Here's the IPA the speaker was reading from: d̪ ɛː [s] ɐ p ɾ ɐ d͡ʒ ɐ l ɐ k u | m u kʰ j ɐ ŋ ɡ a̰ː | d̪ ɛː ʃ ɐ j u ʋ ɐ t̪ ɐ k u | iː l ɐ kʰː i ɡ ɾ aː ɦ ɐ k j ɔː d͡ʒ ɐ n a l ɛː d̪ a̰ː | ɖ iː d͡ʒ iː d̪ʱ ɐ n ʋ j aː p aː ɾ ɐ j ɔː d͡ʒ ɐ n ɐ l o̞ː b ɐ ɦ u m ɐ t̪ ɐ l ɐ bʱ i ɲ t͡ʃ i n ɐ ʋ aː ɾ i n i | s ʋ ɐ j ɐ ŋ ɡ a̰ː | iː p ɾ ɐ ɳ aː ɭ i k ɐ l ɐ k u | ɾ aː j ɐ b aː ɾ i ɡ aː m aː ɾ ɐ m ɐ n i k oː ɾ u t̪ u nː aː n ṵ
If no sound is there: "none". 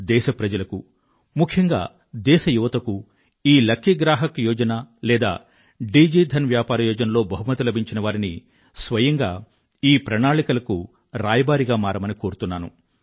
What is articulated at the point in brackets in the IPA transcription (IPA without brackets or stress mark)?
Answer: ʃ